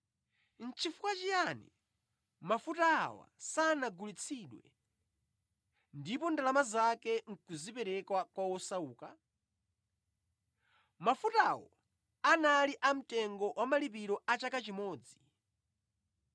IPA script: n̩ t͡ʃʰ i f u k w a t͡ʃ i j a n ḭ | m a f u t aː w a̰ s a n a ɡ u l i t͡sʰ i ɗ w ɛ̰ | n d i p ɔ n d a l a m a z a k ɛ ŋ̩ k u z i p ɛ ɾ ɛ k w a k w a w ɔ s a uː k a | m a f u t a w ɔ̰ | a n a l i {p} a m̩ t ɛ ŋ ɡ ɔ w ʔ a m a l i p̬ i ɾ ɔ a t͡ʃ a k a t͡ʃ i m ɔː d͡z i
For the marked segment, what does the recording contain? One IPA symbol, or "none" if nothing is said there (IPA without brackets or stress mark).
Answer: ʔ